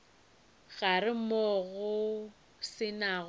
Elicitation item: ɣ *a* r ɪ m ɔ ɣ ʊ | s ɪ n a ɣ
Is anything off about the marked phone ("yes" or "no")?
no